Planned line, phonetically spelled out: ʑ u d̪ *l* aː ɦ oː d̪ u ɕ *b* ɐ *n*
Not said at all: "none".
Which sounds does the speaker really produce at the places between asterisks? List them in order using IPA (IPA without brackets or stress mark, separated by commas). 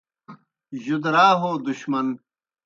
ɾ, m, n